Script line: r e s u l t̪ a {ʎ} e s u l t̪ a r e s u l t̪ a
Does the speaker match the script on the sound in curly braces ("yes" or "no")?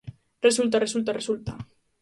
no